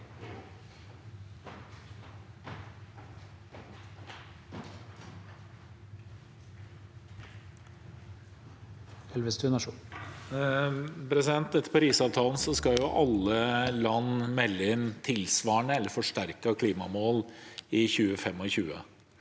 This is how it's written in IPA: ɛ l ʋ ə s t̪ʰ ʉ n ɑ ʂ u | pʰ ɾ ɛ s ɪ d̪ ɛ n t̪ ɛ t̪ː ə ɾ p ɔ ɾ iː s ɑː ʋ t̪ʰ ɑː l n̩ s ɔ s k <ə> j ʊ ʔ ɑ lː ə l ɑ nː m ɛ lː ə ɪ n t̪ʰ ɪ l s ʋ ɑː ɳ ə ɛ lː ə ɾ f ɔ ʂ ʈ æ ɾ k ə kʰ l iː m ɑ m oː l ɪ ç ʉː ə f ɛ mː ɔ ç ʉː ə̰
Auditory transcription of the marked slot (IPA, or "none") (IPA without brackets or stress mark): ɑ